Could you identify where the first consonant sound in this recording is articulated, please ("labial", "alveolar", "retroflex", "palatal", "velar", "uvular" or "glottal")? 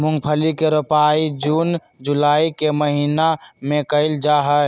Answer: labial